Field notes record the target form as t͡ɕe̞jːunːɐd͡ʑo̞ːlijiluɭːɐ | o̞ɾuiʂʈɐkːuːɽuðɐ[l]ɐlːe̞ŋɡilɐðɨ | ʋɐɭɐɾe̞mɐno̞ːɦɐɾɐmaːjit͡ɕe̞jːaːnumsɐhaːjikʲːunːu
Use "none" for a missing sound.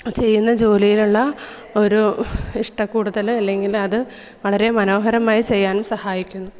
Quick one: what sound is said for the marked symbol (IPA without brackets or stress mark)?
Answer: l